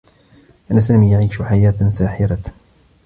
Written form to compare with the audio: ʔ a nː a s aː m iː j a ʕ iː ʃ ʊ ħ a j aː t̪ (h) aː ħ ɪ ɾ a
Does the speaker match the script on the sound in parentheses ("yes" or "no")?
no